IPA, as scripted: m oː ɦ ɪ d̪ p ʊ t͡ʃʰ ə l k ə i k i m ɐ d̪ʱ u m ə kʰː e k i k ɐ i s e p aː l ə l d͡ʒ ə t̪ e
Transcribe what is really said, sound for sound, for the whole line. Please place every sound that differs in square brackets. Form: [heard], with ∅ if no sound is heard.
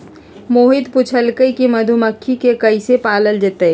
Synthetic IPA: m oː ɦ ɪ d̪ p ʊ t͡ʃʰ ə l k ə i k i m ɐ d̪ʱ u m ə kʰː [i] k [e] k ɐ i s e p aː l ə l d͡ʒ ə t̪ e